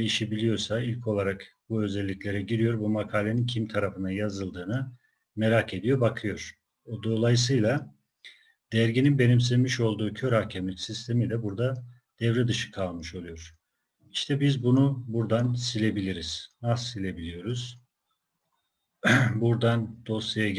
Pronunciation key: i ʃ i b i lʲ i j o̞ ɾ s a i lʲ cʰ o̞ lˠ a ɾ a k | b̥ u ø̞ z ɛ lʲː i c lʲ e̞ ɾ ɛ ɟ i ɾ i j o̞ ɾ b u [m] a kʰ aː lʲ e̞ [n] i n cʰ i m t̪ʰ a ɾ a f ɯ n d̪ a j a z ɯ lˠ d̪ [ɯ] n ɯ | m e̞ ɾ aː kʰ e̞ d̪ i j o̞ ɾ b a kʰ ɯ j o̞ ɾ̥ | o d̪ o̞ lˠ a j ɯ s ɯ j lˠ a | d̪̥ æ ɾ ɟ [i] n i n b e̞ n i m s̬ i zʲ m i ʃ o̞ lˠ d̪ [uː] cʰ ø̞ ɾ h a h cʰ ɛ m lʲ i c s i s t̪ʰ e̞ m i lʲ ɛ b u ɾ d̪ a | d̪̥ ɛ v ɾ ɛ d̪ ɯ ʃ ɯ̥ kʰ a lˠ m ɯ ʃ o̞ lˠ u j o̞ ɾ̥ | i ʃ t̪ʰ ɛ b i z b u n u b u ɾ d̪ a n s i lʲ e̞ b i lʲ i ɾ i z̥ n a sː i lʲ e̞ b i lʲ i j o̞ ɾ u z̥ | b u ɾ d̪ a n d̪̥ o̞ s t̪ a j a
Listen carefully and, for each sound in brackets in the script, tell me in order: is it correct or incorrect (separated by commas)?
correct, correct, incorrect, correct, correct